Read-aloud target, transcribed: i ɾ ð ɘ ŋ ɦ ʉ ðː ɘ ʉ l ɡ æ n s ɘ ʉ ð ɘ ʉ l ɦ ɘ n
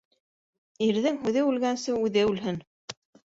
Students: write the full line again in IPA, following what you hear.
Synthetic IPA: i ɾ ð ɘ ŋ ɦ ʉ ð ɘ ʉ l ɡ æ n s ɘ ʉ ð ɘ ʉ l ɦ ɘ n